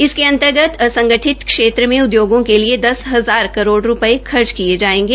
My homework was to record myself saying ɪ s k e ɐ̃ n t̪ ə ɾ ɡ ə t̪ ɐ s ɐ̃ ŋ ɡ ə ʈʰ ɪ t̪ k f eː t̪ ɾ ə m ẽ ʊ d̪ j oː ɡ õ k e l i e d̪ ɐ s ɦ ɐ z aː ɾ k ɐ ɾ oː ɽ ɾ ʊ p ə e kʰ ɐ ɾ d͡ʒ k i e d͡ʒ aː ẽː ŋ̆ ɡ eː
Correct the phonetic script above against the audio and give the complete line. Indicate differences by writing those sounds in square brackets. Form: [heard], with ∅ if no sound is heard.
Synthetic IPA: ɪ s k e ɐ̃ n t̪ ə ɾ ɡ ə t̪ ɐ s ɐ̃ ŋ ɡ ə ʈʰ ɪ t̪ k [ʃ] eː t̪ ɾ ə m ẽ ʊ d̪ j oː ɡ õ k e l i e d̪ ɐ s ɦ ɐ z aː ɾ k ɐ ɾ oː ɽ ɾ ʊ p ə e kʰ ɐ ɾ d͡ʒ k i e d͡ʒ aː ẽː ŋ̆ ɡ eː